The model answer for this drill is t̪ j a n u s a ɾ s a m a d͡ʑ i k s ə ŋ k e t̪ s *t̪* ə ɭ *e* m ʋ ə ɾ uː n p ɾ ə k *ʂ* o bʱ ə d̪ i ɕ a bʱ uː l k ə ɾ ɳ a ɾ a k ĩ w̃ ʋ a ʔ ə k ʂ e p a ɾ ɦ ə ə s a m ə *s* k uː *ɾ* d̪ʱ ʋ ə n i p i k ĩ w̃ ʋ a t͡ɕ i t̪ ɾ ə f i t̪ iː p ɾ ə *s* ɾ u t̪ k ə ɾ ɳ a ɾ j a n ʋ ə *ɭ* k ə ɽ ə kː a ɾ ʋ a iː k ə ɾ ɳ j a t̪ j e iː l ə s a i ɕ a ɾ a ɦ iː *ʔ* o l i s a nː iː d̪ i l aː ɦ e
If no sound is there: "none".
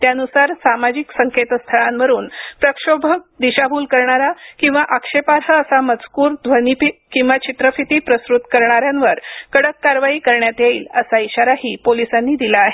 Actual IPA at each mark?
t̪ʰ, a, ʂ, t͡s, ɾ, s, ɾ, p

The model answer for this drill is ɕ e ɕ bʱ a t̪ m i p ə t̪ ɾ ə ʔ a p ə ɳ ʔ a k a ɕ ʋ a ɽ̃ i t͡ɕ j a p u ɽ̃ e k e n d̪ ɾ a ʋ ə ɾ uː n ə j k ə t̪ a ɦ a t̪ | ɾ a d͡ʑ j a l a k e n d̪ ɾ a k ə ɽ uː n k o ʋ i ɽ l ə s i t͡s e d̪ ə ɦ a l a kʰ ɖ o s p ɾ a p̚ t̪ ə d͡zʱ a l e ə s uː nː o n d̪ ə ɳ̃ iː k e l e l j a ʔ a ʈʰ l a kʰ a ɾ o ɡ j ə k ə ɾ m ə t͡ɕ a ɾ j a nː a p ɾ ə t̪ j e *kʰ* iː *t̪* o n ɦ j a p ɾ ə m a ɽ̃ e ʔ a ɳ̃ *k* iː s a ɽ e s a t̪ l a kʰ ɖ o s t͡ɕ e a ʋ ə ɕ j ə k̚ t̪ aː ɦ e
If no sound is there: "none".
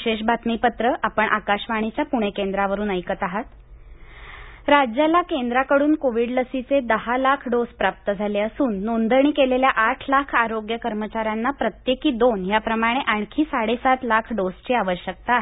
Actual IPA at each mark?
k, d̪, kʰ

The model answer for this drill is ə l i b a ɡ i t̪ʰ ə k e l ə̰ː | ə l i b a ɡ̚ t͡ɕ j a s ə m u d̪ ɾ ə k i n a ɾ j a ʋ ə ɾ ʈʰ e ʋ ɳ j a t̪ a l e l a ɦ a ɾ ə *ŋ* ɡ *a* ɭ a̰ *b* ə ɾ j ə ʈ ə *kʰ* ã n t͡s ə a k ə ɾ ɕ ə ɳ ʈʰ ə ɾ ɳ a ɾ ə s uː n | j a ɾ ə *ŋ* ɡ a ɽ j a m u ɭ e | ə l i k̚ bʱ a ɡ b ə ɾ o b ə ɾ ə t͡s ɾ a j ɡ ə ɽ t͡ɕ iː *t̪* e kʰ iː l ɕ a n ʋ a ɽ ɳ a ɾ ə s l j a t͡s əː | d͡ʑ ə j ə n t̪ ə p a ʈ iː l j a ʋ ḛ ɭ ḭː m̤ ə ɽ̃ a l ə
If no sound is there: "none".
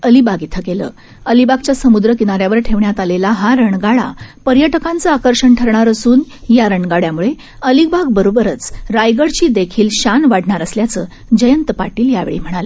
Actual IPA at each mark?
ɳ, a, p, k, ɳ, d̪

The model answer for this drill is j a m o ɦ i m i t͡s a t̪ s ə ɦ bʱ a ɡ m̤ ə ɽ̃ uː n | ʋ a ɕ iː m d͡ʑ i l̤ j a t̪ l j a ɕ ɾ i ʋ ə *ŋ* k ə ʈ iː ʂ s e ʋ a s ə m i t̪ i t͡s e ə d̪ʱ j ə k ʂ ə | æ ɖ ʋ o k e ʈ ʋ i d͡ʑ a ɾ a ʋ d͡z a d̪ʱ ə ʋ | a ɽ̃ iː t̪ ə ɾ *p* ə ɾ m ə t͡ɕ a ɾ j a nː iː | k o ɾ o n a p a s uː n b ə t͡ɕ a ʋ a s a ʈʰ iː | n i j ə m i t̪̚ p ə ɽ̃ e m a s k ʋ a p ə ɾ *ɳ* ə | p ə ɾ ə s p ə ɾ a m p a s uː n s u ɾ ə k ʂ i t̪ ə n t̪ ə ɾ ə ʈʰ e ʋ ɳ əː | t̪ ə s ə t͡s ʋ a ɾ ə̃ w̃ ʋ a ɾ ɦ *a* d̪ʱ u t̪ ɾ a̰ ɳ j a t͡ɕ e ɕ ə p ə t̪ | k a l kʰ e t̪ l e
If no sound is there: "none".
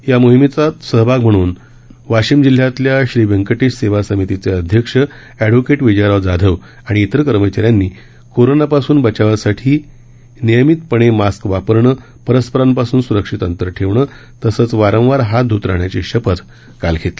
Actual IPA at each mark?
ŋ, k, ɳ, a

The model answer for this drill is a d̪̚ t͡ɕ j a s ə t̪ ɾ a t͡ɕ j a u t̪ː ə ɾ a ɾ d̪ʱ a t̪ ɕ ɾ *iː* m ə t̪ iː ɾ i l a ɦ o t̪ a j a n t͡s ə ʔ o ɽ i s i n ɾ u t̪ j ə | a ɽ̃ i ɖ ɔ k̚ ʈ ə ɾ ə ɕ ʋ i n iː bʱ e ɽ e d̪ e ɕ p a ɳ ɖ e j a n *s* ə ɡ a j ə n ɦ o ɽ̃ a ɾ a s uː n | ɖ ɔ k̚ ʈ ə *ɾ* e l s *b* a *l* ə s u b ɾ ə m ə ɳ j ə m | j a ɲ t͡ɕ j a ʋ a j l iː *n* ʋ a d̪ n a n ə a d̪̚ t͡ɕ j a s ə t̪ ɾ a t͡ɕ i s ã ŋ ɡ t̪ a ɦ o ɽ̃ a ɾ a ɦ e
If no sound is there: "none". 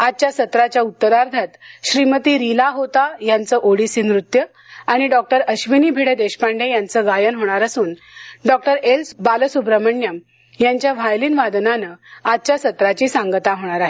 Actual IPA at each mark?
i, t͡s, ɾ, b, l, n

